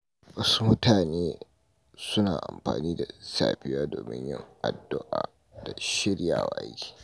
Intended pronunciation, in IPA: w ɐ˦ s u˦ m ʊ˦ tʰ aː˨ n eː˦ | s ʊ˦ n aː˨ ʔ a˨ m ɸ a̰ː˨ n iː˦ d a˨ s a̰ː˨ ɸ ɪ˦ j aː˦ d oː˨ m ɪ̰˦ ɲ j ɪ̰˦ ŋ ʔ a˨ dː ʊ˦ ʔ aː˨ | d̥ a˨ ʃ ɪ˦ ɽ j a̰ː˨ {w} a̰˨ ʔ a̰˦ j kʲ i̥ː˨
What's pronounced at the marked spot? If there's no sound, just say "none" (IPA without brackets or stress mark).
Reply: w